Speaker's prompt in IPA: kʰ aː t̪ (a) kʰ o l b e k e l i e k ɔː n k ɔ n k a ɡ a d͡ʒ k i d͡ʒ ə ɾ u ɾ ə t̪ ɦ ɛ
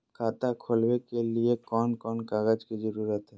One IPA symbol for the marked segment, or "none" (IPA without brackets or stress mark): a